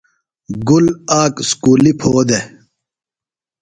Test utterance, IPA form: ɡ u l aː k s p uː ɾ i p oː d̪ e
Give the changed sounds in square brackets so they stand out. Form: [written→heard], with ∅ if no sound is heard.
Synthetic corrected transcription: ɡ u l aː k s [p→k] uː [ɾ→l] i [p→pʰ] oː d̪ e